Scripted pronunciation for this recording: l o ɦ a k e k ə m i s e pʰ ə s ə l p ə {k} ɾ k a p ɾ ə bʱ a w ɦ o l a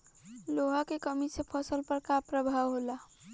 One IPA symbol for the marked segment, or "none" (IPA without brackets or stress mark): none